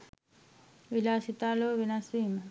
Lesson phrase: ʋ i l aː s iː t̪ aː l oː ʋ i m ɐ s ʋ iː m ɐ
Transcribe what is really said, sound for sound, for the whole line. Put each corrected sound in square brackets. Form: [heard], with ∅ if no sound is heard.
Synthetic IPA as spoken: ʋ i l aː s [i] t̪ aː l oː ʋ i [n] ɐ s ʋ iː m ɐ

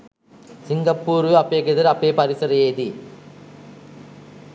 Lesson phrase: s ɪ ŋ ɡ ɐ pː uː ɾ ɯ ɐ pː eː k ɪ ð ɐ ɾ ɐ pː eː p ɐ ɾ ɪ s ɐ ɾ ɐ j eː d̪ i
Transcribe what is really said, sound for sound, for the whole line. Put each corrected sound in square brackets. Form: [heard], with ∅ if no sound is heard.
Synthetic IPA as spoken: s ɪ ŋ ɡ ɐ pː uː ɾ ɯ ɐ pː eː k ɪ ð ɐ ɾ ɐ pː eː p ɐ ɾ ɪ s ɐ ɾ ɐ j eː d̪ i

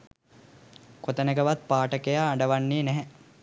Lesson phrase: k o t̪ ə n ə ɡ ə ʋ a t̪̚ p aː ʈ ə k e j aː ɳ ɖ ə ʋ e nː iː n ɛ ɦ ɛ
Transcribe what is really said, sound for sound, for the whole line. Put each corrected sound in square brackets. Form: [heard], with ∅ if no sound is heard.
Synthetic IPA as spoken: k o t̪ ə n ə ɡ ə ʋ a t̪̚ p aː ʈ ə k e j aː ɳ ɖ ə ʋ [a] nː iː n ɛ ɦ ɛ

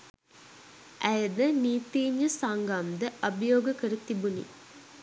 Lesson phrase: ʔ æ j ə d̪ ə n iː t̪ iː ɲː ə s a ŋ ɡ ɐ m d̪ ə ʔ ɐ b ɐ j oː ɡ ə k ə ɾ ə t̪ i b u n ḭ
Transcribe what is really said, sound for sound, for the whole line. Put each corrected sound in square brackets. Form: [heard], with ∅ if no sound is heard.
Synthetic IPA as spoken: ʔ æ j ə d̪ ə n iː t̪ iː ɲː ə s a ŋ ɡ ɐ m d̪ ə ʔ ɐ b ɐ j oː ɡ ə k ə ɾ ə t̪ i b u n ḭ

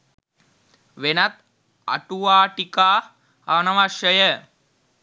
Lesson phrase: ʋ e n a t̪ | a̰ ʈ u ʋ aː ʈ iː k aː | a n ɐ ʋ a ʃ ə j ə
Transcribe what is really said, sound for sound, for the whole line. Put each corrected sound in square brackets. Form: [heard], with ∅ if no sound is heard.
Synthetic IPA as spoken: ʋ e n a t̪ | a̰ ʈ u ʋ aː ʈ [i] k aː | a n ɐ ʋ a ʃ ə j ə

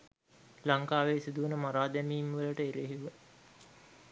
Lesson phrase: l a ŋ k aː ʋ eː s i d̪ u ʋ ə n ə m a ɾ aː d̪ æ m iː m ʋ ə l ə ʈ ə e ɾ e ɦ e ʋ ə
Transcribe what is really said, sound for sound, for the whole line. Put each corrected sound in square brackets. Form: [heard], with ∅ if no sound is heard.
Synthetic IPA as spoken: l a ŋ k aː ʋ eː s i d̪ u ʋ ə n ə m a ɾ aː d̪ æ m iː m ʋ ə l ə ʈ ə e ɾ e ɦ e ʋ ə

